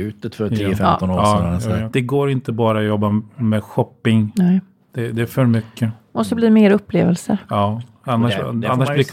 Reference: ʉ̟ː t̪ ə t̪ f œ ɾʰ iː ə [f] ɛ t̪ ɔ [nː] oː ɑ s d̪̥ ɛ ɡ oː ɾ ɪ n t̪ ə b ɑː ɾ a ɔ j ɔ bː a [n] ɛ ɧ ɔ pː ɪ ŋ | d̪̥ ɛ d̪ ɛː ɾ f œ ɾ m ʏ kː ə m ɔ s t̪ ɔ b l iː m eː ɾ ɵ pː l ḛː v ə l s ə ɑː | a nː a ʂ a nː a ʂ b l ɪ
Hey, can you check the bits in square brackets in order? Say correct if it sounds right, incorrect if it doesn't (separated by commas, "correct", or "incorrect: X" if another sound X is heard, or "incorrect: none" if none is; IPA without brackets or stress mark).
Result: correct, incorrect: n, incorrect: m